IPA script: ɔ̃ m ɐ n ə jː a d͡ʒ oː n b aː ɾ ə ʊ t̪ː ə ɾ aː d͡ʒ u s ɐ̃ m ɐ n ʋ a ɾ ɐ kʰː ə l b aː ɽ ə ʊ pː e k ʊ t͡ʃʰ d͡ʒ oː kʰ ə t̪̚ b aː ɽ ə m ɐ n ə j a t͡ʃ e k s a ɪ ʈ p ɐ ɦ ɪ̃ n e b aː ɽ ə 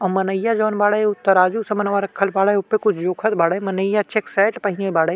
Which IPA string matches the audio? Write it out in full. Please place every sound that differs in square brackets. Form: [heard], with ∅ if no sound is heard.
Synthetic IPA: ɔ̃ m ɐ n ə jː a d͡ʒ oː n b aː [ɽ] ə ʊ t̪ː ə ɾ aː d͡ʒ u s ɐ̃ m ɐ n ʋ a ɾ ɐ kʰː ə l b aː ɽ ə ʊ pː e k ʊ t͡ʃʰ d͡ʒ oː kʰ ə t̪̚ b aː ɽ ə m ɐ n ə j a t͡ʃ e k s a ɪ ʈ p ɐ ɦ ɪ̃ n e b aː ɽ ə